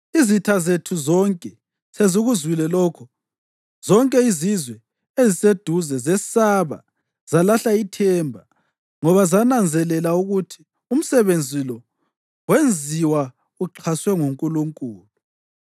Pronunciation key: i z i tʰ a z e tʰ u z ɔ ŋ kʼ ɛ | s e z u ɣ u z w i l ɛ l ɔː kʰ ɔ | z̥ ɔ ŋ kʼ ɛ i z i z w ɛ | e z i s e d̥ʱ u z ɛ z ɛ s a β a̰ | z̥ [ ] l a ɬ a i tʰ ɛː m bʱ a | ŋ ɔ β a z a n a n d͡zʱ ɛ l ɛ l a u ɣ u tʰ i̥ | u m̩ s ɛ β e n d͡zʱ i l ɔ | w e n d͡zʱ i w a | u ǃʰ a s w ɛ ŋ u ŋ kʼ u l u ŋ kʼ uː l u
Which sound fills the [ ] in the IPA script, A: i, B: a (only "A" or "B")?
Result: B